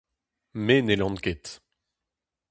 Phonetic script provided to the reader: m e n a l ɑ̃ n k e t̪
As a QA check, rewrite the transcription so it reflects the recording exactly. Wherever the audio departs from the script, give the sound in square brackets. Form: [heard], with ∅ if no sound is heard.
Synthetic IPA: m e n [e] l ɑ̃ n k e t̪